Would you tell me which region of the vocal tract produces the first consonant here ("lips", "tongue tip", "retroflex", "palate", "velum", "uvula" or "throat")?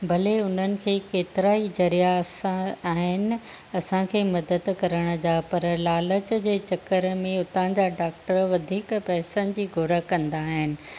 lips